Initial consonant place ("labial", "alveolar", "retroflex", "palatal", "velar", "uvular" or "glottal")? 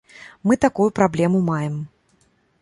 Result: labial